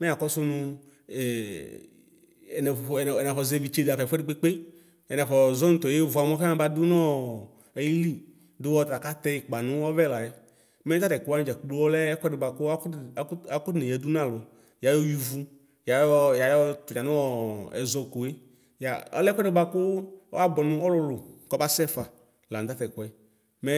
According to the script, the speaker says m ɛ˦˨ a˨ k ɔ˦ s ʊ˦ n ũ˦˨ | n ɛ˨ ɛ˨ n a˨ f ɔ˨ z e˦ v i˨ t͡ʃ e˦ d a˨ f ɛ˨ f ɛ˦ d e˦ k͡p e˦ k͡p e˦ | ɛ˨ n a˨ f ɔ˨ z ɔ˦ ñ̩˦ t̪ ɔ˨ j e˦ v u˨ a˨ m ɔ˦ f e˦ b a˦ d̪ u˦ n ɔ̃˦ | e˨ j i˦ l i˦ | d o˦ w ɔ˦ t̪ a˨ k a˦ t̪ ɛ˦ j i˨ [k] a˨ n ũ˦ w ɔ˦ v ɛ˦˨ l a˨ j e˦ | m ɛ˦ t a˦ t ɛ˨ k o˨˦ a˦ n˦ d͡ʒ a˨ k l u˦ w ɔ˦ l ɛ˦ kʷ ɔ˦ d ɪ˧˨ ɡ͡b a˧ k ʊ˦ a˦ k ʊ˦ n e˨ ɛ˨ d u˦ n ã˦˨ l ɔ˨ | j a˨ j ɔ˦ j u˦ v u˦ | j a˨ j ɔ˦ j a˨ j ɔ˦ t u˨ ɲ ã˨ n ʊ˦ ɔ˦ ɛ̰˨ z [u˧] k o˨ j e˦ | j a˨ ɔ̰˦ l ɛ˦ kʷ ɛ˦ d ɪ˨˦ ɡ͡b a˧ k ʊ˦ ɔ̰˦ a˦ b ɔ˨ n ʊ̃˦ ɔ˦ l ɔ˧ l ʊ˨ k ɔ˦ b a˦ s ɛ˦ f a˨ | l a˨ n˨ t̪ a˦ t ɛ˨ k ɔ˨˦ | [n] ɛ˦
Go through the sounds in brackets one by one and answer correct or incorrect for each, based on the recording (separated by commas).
incorrect, incorrect, incorrect